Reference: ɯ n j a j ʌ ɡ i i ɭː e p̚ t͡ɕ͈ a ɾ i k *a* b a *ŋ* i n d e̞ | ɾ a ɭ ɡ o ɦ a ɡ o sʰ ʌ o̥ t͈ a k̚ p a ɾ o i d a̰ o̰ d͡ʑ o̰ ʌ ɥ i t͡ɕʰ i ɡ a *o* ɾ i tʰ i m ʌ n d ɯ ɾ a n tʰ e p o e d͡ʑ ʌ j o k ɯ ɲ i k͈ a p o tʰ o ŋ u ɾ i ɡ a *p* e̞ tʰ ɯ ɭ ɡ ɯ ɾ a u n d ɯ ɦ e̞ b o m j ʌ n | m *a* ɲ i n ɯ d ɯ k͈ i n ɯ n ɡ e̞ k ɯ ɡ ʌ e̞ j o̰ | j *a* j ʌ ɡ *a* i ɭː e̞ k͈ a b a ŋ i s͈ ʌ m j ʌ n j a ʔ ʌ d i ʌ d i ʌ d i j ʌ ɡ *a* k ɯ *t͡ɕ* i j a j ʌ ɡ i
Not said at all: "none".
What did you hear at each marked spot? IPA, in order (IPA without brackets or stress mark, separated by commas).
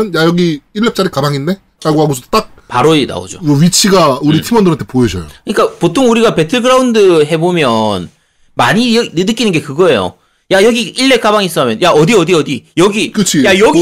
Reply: a, ŋ, u, p, a, a, i, i, t͡ɕʰ